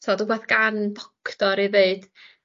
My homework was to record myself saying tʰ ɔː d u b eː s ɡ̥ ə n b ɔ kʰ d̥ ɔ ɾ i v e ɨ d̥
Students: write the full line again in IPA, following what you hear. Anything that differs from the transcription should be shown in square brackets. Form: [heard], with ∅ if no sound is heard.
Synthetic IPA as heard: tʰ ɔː d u b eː [θ] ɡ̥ [a] n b ɔ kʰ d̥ ɔ ɾ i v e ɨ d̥